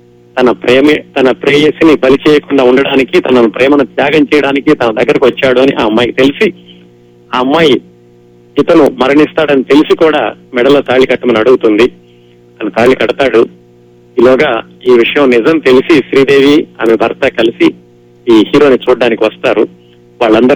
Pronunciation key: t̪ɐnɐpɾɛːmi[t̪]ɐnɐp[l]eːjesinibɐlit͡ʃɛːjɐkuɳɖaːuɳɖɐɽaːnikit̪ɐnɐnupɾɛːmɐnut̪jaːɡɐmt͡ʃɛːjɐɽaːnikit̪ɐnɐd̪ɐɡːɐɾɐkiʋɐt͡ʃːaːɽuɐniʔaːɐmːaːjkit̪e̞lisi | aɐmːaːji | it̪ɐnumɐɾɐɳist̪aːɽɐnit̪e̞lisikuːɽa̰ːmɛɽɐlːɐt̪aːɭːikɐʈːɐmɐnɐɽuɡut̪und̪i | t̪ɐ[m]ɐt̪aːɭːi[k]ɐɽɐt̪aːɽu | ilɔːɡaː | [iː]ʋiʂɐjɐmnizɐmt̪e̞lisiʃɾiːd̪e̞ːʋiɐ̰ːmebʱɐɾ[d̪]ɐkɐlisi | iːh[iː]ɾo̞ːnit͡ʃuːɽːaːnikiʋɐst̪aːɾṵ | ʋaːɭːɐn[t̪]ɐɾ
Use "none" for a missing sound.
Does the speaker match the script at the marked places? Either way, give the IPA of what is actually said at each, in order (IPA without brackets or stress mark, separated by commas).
t̪, ɾ, n, k, iː, t̪, iː, d̪